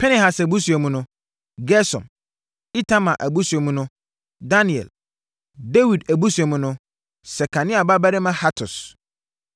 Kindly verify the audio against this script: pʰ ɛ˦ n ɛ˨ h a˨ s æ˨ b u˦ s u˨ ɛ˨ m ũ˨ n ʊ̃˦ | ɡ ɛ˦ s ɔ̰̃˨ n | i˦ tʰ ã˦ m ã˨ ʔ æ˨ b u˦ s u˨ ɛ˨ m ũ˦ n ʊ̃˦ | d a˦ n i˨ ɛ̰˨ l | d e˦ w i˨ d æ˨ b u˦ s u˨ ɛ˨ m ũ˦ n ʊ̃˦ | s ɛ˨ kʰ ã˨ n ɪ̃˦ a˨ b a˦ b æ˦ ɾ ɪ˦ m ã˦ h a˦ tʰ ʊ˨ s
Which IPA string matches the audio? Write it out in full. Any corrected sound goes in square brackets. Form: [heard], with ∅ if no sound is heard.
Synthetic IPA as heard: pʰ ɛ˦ n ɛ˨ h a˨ s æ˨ b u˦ s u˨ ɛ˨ m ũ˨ n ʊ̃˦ | ɡ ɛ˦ s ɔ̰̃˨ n | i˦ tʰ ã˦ m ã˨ ʔ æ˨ b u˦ s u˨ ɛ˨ m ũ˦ n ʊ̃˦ | d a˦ n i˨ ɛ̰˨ l | d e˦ w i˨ d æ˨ b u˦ s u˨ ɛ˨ m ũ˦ n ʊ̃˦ | s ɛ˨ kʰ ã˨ n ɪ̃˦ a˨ b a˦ b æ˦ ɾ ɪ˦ m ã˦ h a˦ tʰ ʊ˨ s